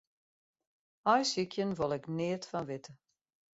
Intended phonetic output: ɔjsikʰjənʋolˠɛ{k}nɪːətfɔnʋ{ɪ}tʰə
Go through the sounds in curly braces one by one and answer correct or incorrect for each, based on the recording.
correct, correct

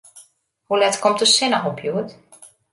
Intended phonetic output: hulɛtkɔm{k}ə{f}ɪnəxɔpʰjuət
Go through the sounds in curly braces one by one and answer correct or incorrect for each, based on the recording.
incorrect: t, incorrect: s

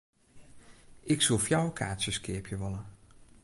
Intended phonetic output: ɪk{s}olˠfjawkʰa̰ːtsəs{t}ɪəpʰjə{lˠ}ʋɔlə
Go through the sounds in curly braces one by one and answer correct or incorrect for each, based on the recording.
correct, incorrect: k, incorrect: none

